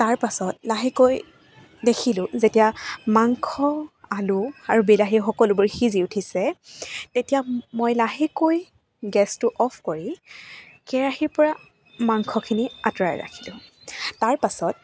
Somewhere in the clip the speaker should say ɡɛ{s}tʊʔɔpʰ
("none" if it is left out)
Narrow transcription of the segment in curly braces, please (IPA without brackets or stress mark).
s